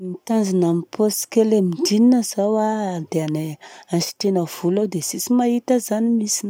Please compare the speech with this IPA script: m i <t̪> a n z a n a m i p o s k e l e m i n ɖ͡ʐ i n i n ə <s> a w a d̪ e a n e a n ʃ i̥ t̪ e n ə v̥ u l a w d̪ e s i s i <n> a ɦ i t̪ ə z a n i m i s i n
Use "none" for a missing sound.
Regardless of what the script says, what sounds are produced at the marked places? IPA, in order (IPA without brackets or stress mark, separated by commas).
t̪, z, m